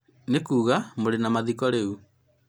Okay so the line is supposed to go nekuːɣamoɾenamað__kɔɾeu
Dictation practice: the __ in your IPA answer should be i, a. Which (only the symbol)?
i